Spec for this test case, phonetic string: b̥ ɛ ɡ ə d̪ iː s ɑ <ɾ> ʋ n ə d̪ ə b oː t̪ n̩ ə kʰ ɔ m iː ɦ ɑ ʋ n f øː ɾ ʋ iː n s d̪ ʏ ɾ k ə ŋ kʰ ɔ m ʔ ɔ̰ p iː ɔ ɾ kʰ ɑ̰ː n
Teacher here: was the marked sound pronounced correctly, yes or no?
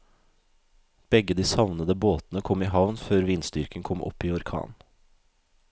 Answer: no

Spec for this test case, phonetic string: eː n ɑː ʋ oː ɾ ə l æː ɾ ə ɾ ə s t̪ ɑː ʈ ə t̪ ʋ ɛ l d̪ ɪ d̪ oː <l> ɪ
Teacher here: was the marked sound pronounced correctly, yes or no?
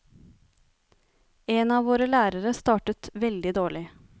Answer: no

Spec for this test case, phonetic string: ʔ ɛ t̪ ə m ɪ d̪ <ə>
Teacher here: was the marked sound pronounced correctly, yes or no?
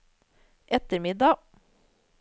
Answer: no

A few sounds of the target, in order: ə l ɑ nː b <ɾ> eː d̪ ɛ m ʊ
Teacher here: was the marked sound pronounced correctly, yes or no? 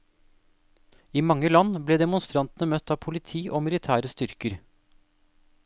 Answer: no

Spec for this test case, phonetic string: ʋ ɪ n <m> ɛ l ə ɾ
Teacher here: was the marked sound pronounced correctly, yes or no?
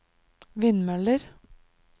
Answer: yes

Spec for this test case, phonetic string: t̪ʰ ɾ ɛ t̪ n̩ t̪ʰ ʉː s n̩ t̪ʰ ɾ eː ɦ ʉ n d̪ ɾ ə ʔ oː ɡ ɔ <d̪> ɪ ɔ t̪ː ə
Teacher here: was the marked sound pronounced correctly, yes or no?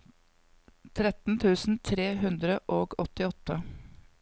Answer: no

